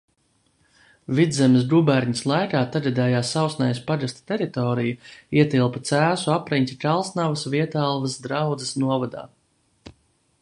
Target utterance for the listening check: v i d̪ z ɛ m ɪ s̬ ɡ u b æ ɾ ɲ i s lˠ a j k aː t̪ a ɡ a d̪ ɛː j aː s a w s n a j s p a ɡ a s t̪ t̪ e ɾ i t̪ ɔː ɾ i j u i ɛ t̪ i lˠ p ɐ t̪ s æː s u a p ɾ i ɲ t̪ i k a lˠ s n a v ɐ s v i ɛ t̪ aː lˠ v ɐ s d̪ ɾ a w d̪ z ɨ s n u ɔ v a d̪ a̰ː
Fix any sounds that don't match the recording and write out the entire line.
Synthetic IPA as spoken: v i d̪ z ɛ m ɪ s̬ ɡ u b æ ɾ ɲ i s lˠ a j k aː t̪ a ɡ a d̪ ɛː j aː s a w s n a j s p a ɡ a s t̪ t̪ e ɾ i t̪ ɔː ɾ i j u i ɛ t̪ i lˠ p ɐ t̪ s æː s u a p ɾ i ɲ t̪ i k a lˠ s n a v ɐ s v i ɛ t̪ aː lˠ v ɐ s d̪ ɾ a w d̪ z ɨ s n u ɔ v a d̪ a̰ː